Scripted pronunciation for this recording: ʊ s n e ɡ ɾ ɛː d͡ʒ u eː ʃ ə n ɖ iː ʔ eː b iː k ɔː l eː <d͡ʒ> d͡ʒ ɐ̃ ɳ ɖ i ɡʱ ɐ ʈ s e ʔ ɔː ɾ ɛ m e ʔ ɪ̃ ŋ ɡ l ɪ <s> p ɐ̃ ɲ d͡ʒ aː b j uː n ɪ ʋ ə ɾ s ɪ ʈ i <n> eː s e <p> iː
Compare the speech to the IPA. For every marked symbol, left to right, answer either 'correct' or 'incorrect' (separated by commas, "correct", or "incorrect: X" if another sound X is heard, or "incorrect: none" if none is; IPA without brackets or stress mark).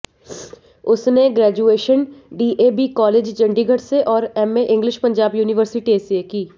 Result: correct, incorrect: ʃ, incorrect: none, incorrect: k